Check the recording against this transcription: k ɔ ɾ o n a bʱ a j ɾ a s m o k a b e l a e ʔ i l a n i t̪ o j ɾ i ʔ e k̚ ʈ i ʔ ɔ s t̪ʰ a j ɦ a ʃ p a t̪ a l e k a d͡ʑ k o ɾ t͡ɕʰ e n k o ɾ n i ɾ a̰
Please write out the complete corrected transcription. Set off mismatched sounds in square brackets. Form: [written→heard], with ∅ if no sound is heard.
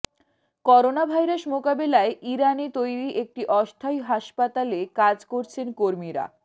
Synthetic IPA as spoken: k ɔ ɾ o n a bʱ a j ɾ a [s→ʃ] m o k a b e l a e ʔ i [l→ɾ] a n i t̪ o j ɾ i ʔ e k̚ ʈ i ʔ ɔ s t̪ʰ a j ɦ a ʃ p a t̪ a l e k a d͡ʑ k o ɾ t͡ɕʰ e n k o ɾ [n→m] i ɾ a̰